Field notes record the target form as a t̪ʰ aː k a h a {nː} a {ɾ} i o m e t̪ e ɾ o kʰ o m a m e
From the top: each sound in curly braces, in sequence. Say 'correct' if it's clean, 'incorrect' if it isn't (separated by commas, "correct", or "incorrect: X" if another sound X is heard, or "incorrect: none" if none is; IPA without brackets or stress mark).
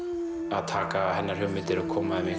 incorrect: n, correct